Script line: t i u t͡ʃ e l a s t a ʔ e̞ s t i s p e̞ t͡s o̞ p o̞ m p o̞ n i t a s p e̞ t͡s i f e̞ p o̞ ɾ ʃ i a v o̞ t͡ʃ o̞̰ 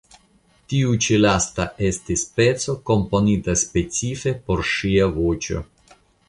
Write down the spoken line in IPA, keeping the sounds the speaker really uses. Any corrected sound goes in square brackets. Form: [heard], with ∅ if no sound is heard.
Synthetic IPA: t i u t͡ʃ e l a s t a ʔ e̞ s t i s p e̞ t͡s o̞ [k] o̞ m p o̞ n i t a s p e̞ t͡s i f e̞ p o̞ ɾ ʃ i a v o̞ t͡ʃ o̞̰